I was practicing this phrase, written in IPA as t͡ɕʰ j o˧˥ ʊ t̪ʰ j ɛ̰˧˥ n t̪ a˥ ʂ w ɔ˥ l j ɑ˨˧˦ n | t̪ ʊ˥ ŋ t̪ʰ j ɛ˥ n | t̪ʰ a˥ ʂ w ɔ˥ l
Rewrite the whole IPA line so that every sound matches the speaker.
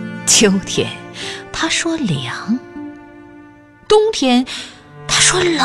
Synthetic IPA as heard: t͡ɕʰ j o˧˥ ʊ t̪ʰ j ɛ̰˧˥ n t̪ʰ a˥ ʂ w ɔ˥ l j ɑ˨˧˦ ŋ | t̪ ʊ˥ ŋ t̪ʰ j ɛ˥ n | t̪ʰ a˥ ʂ w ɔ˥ l